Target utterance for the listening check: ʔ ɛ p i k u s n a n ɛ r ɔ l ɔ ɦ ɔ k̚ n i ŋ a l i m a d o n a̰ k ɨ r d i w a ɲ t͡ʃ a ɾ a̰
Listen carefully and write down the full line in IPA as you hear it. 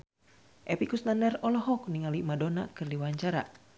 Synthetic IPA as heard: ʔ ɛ p i k u s n a n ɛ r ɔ l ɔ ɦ ɔ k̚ n i ŋ a l i m a d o n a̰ k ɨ r d i w a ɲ t͡ʃ a ɾ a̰